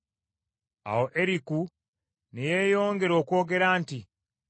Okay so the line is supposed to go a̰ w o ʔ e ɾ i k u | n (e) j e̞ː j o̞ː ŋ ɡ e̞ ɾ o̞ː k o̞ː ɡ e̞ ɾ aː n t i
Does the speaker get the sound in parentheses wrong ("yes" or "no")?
no